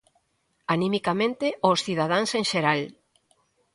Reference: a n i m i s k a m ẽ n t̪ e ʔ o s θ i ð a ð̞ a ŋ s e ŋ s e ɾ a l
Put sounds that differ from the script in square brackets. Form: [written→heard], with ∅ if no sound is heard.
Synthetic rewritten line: a n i m i [s→∅] k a m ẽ n t̪ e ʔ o s θ i ð a ð̞ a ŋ s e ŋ [s→ʃ] e ɾ a l